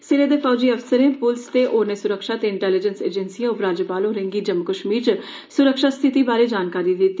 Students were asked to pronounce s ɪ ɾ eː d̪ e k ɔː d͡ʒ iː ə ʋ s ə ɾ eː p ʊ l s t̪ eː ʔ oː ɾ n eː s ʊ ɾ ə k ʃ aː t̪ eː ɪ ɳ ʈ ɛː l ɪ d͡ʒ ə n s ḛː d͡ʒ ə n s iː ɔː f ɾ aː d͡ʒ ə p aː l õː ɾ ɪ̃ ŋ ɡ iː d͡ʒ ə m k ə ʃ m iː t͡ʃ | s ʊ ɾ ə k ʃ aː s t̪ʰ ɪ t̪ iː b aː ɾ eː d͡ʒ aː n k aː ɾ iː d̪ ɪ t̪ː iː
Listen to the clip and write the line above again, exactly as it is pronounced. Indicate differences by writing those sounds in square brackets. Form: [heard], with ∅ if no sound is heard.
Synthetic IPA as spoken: s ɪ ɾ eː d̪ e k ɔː d͡ʒ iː ə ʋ s ə ɾ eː p ʊ l s t̪ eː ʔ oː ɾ n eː s ʊ ɾ ə k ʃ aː t̪ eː ɪ ɳ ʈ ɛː l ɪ d͡ʒ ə n s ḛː d͡ʒ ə n s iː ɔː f ɾ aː d͡ʒ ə p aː l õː ɾ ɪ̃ ŋ ɡ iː d͡ʒ ə m k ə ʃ m iː t͡ʃ | s ʊ ɾ ə k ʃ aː s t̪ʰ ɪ t̪ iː b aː ɾ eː d͡ʒ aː n k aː ɾ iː d̪ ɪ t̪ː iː